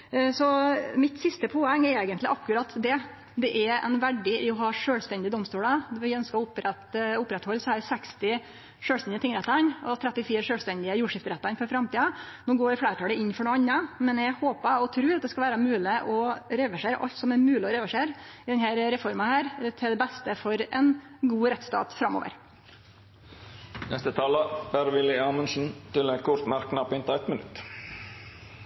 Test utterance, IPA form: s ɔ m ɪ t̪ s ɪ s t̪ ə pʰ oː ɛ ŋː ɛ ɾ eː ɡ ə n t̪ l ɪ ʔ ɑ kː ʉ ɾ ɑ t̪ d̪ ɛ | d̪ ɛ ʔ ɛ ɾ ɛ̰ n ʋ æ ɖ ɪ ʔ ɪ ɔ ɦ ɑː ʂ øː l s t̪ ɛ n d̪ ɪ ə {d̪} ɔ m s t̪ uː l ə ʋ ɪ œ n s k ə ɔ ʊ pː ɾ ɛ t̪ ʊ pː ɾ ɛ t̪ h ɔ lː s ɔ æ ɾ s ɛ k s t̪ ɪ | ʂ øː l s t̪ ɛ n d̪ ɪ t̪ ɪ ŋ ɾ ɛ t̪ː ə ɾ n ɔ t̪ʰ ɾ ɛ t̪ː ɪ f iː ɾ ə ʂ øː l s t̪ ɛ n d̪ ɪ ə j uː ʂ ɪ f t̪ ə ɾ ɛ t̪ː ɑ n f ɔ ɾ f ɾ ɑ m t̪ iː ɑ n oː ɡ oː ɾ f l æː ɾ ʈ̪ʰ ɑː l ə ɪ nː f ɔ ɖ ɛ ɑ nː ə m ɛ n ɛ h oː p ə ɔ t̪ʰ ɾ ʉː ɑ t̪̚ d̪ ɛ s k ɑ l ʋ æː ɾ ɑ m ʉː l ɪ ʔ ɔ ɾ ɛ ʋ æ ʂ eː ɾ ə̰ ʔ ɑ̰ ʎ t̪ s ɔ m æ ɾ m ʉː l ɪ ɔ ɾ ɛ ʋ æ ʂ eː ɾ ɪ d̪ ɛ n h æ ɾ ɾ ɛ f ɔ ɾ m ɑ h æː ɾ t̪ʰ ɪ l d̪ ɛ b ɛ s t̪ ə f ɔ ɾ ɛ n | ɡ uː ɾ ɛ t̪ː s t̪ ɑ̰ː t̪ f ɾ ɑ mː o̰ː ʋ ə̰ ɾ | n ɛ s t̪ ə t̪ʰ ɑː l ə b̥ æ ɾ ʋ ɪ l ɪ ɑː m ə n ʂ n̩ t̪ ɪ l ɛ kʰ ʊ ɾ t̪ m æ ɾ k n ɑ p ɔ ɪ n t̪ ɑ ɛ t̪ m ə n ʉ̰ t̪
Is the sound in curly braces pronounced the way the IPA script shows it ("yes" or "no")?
yes